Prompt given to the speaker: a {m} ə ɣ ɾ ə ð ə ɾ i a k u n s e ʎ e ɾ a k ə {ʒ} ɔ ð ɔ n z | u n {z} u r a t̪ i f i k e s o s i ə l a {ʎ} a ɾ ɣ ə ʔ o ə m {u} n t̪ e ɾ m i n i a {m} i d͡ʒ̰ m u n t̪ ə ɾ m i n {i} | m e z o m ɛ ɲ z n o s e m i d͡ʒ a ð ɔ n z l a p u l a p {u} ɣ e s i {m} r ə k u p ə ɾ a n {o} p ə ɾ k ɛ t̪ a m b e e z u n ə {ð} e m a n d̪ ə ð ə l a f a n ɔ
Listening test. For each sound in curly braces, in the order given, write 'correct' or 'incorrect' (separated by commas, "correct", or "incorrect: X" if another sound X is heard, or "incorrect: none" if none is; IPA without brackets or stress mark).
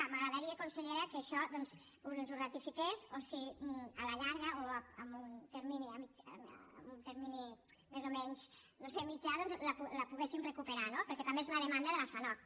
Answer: correct, incorrect: ʃ, correct, correct, correct, correct, correct, correct, correct, correct, correct